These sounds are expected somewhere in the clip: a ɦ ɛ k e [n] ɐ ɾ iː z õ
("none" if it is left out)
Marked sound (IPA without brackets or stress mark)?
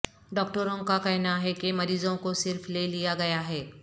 m